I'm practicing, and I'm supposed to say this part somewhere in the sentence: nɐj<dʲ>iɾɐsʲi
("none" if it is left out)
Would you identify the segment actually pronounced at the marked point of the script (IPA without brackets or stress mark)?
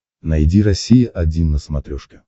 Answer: dʲ